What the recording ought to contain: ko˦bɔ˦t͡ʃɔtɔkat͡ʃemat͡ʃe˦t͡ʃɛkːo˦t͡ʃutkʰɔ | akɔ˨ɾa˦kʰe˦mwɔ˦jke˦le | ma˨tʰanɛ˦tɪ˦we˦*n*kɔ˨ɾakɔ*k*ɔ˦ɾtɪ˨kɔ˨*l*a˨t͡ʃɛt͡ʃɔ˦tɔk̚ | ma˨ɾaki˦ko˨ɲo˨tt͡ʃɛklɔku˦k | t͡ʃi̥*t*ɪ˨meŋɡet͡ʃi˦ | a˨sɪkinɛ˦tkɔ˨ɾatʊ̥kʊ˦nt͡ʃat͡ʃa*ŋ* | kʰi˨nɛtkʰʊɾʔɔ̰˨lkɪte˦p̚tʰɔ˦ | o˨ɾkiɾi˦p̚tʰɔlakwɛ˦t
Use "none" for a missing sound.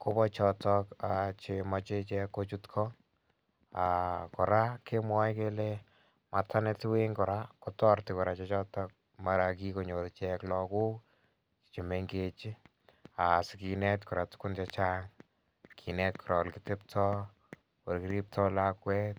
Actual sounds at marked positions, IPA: ŋ, t, ɾ, t͡ʃ, ŋ

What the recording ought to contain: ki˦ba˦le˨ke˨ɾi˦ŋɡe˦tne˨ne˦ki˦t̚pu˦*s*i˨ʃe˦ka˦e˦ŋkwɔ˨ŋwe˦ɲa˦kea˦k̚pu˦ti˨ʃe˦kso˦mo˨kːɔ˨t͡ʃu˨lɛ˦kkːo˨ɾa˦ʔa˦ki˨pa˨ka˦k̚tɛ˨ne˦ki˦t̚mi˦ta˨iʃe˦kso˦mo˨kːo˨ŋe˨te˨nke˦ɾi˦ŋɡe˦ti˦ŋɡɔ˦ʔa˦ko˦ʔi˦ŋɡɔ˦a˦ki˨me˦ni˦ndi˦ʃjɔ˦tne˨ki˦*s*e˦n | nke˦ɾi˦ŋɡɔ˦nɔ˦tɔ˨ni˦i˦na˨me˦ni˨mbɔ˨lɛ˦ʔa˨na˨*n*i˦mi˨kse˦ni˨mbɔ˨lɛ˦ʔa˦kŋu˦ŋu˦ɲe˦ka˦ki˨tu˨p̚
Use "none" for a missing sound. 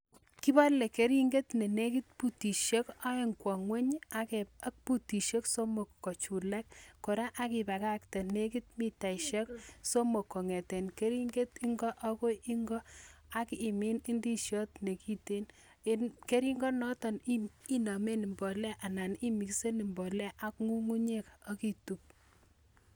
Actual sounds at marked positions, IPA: t, t, n

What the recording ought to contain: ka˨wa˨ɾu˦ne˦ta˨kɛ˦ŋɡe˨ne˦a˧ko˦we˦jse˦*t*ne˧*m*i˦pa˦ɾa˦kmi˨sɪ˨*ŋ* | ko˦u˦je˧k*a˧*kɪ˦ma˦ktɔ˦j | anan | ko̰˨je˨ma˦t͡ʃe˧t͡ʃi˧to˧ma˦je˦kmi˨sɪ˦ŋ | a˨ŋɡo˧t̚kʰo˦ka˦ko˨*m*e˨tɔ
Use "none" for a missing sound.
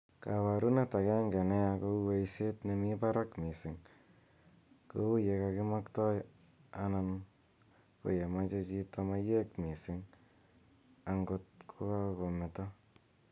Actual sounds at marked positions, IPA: t, m, ŋ, a˧, m

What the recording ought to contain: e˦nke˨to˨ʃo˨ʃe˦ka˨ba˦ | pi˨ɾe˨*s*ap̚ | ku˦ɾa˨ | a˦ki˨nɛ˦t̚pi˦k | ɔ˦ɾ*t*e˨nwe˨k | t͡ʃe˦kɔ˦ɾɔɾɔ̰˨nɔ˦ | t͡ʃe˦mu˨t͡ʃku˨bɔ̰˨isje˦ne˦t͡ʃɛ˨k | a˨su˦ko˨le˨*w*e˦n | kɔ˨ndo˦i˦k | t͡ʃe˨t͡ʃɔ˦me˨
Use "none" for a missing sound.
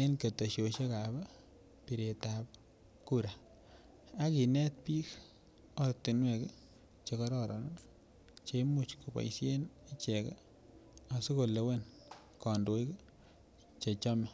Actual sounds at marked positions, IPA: t, t, w

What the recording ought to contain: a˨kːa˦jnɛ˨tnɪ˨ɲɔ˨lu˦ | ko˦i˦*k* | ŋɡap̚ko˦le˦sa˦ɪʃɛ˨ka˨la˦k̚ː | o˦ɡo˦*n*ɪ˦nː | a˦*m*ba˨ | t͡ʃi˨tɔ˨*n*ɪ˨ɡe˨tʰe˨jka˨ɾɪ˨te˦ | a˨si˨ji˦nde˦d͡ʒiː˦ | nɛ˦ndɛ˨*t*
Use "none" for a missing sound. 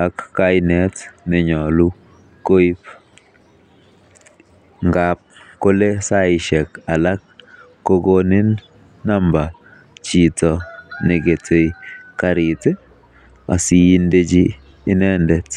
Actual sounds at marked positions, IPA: p, n, m, n, t

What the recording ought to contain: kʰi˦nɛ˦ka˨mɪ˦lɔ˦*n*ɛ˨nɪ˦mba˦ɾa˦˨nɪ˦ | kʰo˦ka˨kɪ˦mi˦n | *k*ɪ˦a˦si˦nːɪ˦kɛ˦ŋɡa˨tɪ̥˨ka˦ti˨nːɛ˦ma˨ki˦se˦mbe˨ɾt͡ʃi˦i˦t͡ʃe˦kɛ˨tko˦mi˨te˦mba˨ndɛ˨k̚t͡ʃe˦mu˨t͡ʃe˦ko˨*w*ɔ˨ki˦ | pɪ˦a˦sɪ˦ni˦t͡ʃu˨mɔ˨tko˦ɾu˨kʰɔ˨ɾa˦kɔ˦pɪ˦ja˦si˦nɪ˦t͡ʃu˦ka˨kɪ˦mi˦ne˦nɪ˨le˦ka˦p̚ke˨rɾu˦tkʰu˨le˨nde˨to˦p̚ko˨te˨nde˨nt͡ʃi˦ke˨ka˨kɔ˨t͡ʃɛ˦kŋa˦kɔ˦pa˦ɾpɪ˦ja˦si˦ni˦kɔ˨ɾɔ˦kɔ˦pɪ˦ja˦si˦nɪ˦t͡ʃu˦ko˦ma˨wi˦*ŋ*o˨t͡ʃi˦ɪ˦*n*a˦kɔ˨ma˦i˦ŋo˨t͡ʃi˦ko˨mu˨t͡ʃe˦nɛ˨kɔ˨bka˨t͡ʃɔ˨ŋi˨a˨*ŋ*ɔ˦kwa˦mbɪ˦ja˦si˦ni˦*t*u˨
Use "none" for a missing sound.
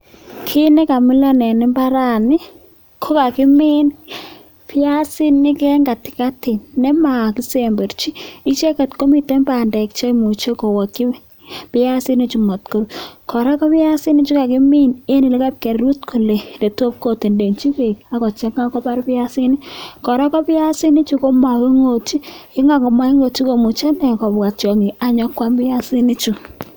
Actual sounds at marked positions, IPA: n, p, w, ŋ, ŋ, ɲ, t͡ʃ

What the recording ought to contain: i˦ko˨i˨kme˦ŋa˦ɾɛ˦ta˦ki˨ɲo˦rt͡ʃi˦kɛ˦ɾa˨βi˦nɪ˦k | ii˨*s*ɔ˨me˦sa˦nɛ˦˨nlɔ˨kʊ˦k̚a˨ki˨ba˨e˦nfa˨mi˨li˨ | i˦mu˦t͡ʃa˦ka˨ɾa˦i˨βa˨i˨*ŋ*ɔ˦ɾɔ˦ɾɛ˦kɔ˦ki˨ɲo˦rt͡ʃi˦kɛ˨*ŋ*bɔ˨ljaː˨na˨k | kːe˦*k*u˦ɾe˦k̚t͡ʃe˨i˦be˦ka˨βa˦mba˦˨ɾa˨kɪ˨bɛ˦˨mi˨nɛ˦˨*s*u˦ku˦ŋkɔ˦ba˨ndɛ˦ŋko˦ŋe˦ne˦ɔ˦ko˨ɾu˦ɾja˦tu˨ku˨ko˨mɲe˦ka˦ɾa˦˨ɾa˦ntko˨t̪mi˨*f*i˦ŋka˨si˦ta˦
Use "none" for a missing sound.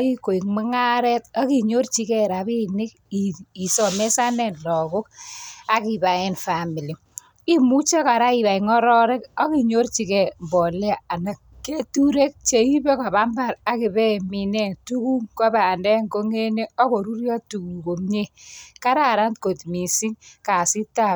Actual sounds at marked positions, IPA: s, ŋ, m, t, t, s

